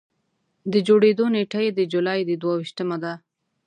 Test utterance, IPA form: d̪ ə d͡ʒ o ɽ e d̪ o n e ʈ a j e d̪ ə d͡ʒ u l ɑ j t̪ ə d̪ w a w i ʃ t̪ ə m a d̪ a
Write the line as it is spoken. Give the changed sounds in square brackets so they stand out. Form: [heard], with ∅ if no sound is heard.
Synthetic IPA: d̪ ə d͡ʒ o ɽ e d̪ o n e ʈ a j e d̪ ə d͡ʒ u l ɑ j [d̪] ə d̪ w a w i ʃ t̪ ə m a d̪ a